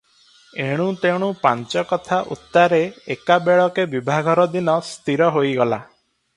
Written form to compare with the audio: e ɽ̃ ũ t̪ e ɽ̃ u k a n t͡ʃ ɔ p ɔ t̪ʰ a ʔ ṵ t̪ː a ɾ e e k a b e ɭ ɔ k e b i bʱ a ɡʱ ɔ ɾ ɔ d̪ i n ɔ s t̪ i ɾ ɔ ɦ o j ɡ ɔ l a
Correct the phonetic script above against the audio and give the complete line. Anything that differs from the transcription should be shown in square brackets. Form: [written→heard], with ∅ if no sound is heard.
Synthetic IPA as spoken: e ɽ̃ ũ t̪ e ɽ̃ u [k→p] a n t͡ʃ ɔ [p→k] ɔ t̪ʰ a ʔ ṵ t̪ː a ɾ e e k a b e ɭ ɔ k e b i bʱ a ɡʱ ɔ ɾ ɔ d̪ i n ɔ s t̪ i ɾ ɔ ɦ o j ɡ ɔ l a